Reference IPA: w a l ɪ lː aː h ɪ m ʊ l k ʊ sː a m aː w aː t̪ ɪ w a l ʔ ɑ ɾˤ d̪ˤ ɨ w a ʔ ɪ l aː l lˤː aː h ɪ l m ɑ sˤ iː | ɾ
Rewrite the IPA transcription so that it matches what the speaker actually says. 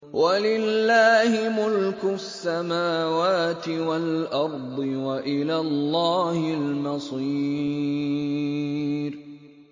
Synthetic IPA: w a l ɪ lː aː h ɪ m ʊ l k ʊ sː a m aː w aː t̪ ɪ w a l ʔ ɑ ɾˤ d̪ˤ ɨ w a ʔ ɪ l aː l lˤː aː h ɪ l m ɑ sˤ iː | ɾ

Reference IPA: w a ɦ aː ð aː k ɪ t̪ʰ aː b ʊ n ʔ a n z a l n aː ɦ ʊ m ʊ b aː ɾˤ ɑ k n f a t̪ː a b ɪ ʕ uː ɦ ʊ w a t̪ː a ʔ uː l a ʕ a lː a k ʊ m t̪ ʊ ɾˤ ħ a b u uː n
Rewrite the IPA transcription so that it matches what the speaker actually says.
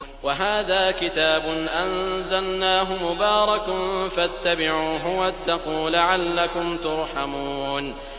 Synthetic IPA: w a ɦ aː ð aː k ɪ t̪ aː b ʊ n ʔ a n z a l n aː ɦ ʊ m ʊ b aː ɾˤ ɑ k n f a t̪ː a b ɪ ʕ uː ɦ ʊ w a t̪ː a q uː l a ʕ a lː a k ʊ m t̪ ʊ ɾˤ ħ a m u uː n

